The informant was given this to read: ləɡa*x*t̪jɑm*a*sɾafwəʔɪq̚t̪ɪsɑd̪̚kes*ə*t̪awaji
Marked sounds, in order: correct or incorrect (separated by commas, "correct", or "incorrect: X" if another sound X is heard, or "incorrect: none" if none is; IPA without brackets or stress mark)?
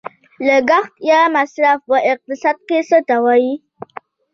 correct, correct, correct